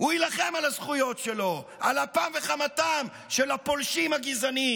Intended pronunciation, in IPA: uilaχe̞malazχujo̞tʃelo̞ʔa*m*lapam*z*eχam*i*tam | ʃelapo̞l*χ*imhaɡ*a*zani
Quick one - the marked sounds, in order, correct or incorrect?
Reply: incorrect: none, incorrect: v, incorrect: a, incorrect: ʃ, incorrect: i

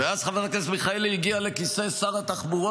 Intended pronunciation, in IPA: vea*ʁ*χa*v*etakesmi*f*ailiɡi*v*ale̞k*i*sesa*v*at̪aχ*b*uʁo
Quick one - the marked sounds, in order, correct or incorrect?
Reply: incorrect: z, correct, incorrect: χ, incorrect: none, correct, incorrect: ʁ, correct

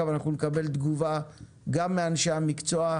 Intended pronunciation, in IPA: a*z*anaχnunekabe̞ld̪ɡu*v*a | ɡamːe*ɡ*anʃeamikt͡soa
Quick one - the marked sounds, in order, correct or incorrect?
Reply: incorrect: v, correct, incorrect: none

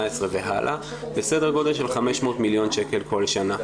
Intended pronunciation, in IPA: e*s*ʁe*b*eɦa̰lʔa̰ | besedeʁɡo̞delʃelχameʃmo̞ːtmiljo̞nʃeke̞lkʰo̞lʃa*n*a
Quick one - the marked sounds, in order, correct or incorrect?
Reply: correct, incorrect: v, correct

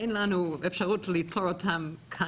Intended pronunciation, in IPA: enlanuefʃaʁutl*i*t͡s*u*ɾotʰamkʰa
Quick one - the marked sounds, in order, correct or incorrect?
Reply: correct, incorrect: o

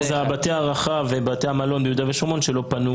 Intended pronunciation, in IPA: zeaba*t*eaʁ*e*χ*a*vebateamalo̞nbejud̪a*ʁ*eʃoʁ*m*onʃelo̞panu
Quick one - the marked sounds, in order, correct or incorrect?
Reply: correct, incorrect: a, correct, incorrect: v, correct

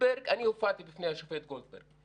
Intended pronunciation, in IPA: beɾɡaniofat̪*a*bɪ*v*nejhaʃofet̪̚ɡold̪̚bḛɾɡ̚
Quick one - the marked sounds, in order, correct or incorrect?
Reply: incorrect: i, incorrect: f

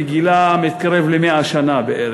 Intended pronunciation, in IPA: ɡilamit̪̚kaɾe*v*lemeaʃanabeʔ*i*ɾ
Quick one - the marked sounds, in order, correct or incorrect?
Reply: correct, incorrect: e

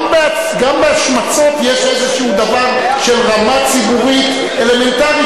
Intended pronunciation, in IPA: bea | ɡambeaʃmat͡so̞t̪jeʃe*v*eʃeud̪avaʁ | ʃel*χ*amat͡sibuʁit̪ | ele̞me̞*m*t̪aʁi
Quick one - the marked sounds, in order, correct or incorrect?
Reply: incorrect: z, incorrect: ʁ, incorrect: n

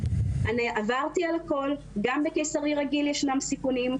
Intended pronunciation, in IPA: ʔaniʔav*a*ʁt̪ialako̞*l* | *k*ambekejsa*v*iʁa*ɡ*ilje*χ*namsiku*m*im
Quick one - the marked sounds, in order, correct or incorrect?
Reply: correct, correct, incorrect: ɡ, incorrect: ʁ, correct, incorrect: ʃ, incorrect: n

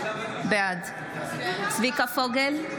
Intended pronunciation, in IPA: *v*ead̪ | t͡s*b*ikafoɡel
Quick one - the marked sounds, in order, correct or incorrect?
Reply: incorrect: b, incorrect: v

